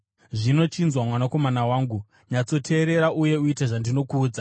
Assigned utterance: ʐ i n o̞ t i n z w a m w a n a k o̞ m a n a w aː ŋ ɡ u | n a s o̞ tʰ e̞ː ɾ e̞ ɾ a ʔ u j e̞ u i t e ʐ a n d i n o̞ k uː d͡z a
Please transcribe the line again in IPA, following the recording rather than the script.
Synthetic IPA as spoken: ʐ i n o̞ t͡ʃ i n z w a m w a n a k o̞ m a n a w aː ŋ ɡ u | ɲ a t͡s o̞ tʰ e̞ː ɾ e̞ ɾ a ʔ u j e̞ u i t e ʐ a n d i n o̞ k uː d͡z a